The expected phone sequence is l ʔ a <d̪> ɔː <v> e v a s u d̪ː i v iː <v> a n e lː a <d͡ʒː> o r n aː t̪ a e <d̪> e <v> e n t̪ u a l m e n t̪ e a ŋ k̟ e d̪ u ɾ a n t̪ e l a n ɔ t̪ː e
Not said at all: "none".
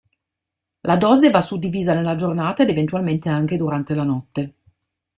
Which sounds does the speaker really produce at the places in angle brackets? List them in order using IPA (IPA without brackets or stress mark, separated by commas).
d̪, z, z, d͡ʒ, d̪, v